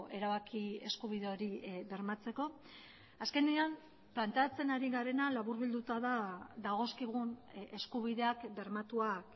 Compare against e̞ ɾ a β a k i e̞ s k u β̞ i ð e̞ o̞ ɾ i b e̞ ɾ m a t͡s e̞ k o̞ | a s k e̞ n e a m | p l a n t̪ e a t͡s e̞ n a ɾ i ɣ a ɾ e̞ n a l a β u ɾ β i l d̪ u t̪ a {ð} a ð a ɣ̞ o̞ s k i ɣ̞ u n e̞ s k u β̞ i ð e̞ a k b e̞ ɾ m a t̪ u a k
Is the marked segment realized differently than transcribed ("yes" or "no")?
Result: no